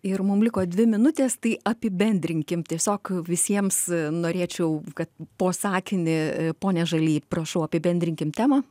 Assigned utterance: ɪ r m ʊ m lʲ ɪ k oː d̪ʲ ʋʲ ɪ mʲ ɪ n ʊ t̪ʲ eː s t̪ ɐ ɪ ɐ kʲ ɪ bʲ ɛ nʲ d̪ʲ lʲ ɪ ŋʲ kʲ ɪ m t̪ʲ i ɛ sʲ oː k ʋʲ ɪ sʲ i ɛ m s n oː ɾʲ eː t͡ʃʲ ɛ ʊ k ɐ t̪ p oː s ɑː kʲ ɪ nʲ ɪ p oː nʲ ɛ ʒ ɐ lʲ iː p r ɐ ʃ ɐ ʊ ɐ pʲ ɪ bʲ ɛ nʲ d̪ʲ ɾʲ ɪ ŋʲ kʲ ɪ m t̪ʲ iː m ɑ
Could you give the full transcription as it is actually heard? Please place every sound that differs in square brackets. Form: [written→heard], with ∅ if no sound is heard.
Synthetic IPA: ɪ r m ʊ m lʲ ɪ k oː d̪ʲ ʋʲ ɪ mʲ ɪ n ʊ t̪ʲ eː s t̪ ɐ ɪ ɐ [kʲ→pʲ] ɪ bʲ ɛ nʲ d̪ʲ [lʲ→ɾʲ] ɪ ŋʲ kʲ ɪ m t̪ʲ i ɛ sʲ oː k ʋʲ ɪ sʲ i ɛ m s n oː ɾʲ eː t͡ʃʲ ɛ ʊ k ɐ t̪ p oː s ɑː kʲ ɪ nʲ ɪ p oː nʲ ɛ ʒ ɐ lʲ iː p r ɐ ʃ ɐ ʊ ɐ pʲ ɪ bʲ ɛ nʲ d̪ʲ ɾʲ ɪ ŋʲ kʲ ɪ m t̪ʲ [iː→æː] m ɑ